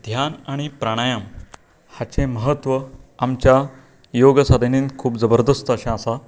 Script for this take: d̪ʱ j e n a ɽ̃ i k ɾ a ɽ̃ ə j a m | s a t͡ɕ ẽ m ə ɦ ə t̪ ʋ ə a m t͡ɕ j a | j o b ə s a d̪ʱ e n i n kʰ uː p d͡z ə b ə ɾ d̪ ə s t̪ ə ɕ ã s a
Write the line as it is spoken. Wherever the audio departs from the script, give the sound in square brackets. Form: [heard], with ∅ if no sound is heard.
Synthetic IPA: d̪ʱ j [a] n a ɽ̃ i [p] ɾ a ɽ̃ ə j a m | [h] a t͡ɕ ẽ m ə ɦ ə t̪ ʋ ə a m t͡ɕ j a | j o [ɡ] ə s a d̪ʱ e n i n kʰ uː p d͡z ə b ə ɾ d̪ ə s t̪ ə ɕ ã s a